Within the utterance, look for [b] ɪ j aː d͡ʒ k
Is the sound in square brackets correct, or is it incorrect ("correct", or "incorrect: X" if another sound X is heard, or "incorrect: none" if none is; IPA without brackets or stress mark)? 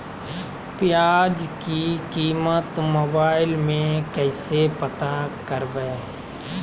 incorrect: p